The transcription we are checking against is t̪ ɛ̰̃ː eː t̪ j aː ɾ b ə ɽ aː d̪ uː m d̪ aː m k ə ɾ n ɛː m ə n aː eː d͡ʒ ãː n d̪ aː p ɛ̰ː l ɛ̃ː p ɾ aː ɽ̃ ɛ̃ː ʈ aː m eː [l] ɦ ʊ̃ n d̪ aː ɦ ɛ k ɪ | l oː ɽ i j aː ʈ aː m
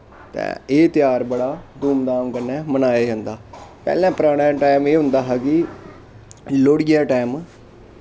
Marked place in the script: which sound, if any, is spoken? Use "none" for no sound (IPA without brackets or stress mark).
none